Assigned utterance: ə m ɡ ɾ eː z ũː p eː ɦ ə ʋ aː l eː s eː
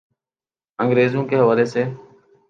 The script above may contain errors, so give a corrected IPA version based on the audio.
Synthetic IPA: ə ŋ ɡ ɾ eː z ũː k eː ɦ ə ʋ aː l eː s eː